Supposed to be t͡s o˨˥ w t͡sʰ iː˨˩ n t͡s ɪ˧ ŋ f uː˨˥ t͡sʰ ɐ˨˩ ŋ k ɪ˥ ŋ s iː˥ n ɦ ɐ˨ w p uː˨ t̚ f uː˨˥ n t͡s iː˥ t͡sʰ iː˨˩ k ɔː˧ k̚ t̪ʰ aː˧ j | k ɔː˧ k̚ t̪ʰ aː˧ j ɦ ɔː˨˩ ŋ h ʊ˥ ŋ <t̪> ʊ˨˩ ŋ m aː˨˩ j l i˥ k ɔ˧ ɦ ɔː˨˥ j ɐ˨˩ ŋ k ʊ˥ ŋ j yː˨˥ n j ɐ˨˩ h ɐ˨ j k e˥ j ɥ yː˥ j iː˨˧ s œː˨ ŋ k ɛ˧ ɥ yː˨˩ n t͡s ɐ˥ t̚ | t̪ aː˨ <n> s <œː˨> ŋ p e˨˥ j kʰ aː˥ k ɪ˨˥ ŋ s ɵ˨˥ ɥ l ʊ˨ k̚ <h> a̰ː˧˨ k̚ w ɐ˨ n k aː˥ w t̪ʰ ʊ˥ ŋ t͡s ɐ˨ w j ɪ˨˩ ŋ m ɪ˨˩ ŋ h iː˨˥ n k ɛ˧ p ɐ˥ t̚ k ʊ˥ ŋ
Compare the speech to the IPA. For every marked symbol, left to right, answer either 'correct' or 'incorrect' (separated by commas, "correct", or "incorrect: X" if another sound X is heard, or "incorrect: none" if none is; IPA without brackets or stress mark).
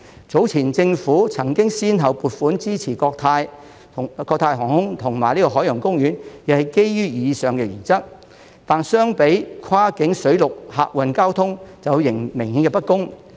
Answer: incorrect: t̪ʰ, correct, incorrect: œː˥, correct